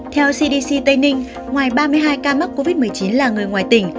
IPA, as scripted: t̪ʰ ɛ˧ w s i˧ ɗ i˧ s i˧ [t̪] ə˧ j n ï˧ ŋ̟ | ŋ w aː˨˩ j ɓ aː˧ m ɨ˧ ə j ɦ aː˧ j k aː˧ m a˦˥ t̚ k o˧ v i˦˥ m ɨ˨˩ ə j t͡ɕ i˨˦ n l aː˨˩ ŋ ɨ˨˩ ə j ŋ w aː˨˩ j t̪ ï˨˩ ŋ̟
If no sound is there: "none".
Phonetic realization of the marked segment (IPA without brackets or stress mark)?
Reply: t̪